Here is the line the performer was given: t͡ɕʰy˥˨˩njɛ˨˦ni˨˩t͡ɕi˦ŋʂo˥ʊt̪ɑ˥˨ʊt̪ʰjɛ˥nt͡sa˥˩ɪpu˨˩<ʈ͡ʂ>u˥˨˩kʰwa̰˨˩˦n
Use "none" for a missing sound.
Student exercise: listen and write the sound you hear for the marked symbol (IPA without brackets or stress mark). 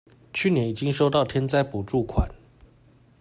ʈ͡ʂ